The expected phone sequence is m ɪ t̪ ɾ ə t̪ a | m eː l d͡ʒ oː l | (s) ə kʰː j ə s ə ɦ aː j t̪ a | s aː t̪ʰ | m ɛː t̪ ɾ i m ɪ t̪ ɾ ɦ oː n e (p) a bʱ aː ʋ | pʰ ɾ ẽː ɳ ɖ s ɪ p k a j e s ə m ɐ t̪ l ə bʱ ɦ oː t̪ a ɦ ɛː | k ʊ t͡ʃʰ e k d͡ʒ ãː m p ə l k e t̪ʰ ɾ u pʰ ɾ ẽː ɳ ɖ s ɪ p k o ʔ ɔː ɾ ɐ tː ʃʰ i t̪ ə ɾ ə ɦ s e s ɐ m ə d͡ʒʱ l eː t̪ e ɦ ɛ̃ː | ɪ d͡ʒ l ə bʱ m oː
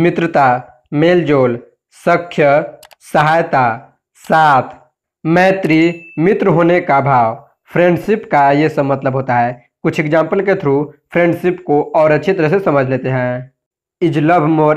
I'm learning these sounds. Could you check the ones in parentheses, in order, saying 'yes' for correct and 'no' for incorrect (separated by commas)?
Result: yes, no